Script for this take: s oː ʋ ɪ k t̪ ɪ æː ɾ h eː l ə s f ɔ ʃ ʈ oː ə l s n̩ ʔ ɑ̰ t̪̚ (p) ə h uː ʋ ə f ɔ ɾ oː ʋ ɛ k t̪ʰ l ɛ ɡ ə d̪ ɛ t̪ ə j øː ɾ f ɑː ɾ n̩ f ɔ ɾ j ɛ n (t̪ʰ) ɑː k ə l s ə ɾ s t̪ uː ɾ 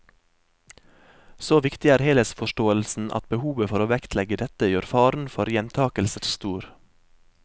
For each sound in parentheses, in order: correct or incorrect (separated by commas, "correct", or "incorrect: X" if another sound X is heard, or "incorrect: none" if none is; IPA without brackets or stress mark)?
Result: incorrect: b, correct